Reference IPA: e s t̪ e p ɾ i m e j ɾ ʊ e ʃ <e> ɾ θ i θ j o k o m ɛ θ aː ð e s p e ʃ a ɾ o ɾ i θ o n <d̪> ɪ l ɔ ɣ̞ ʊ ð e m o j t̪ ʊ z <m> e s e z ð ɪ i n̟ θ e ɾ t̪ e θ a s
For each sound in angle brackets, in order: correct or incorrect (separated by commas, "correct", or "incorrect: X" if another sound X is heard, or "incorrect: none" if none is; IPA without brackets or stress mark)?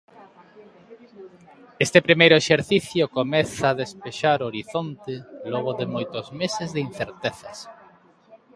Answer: correct, incorrect: t̪, correct